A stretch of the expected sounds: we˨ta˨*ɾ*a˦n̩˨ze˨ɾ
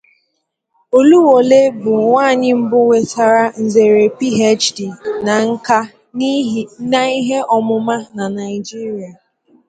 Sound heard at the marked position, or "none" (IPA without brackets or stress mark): ɾ